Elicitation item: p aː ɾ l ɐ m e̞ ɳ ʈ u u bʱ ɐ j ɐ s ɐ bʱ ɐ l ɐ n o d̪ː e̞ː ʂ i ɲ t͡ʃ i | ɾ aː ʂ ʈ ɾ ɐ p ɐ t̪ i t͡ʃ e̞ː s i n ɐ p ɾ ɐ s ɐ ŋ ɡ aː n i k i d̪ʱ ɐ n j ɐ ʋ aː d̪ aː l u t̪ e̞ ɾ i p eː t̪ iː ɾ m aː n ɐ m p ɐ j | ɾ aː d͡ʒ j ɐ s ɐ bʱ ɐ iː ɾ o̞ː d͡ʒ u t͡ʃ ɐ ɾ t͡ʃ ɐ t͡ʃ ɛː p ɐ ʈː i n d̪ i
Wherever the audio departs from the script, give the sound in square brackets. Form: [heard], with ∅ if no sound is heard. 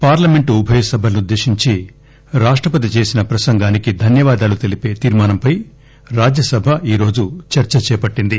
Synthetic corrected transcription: p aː ɾ l ɐ m e̞ ɳ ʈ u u bʱ ɐ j ɐ s ɐ bʱ ɐ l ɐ n [u] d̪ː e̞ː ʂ i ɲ t͡ʃ i | ɾ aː ʂ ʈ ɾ ɐ p ɐ t̪ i t͡ʃ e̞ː s i n ɐ p ɾ ɐ s ɐ ŋ ɡ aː n i k i d̪ʱ ɐ n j ɐ ʋ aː d̪ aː l u t̪ e̞ [l] i p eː t̪ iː ɾ m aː n ɐ m p ɐ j | ɾ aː d͡ʒ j ɐ s ɐ bʱ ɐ iː ɾ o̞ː d͡ʒ u t͡ʃ ɐ ɾ t͡ʃ ɐ t͡ʃ ɛː p ɐ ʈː i n d̪ i